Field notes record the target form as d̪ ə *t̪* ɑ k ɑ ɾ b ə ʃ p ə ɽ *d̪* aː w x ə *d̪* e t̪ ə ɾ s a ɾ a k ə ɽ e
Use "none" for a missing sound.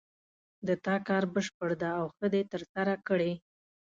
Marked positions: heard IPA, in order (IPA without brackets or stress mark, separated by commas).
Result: t̪, d̪, d̪